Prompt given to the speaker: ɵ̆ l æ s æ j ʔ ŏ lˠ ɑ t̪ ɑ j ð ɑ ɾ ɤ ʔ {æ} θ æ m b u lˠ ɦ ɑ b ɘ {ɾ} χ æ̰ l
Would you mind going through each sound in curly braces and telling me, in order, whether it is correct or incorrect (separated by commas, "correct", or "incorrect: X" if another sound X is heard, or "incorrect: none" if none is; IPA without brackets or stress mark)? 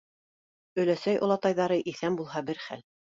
incorrect: i, correct